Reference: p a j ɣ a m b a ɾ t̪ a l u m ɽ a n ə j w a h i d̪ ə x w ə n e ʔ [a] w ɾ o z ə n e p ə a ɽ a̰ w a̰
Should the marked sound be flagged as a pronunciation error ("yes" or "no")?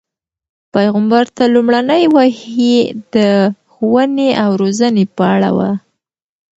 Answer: no